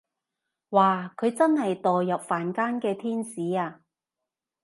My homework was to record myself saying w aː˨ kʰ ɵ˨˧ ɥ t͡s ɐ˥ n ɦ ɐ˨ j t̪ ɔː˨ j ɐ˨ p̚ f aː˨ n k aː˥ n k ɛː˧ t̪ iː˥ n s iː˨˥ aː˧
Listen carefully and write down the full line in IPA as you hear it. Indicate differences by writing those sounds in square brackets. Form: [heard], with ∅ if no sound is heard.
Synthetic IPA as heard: w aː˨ kʰ ɵ˨˧ ɥ t͡s ɐ˥ n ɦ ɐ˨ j t̪ ɔː˨ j ɐ˨ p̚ f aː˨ n k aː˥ n k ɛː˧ [t̪ʰ] iː˥ n s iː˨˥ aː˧

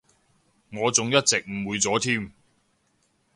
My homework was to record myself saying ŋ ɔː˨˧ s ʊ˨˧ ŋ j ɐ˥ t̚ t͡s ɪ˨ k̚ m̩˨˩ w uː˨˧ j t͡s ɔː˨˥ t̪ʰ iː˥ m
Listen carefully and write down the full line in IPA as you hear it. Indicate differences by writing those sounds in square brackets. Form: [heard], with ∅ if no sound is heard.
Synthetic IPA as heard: ŋ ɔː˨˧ [t͡s] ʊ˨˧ ŋ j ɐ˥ t̚ t͡s ɪ˨ k̚ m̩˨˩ w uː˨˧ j t͡s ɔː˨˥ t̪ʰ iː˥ m

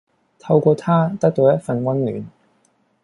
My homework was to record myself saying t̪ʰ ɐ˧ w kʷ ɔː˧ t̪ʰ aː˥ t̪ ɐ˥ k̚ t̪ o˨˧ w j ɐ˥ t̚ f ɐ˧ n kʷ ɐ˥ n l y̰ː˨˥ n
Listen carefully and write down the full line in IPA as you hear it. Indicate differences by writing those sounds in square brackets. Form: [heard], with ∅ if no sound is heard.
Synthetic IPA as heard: t̪ʰ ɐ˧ w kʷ ɔː˧ t̪ʰ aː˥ t̪ ɐ˥ k̚ t̪ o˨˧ w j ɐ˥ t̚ f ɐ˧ n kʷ ɐ˥ n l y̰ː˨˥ n

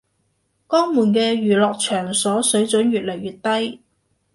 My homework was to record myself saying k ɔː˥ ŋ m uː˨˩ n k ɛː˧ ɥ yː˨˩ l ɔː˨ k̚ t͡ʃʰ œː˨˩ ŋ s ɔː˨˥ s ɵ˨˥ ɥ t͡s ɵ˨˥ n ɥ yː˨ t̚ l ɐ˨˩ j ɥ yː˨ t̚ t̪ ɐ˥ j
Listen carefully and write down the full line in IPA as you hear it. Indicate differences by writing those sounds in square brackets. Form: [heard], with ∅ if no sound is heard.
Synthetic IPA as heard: k ɔː˥ ŋ m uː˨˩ n k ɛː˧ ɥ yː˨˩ l ɔː˨ k̚ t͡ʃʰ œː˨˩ ŋ s ɔː˨˥ s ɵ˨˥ ɥ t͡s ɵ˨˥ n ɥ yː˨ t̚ l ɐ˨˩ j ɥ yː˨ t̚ t̪ ɐ˥ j

